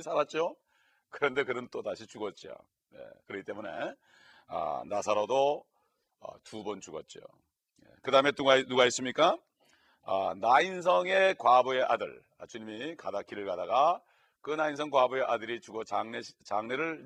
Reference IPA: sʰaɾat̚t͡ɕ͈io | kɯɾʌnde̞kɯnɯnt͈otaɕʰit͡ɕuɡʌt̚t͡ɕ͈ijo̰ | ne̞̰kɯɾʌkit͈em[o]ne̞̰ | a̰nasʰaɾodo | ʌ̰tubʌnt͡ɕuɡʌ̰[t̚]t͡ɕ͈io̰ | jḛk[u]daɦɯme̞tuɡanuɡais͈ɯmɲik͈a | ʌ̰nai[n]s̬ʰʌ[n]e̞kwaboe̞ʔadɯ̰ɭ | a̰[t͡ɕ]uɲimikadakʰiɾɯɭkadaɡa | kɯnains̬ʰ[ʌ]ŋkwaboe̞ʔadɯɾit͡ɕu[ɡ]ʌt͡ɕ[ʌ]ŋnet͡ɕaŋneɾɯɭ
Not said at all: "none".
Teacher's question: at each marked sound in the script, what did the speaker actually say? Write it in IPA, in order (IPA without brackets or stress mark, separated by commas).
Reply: u, t̚, ɯ, n, ŋ, t͡ɕ, ʌ, ɡ, a